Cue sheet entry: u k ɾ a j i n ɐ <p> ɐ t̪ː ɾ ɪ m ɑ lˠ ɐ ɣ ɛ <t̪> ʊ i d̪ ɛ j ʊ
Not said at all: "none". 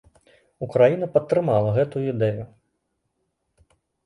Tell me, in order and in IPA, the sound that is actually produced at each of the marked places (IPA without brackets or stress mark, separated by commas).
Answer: p, t̪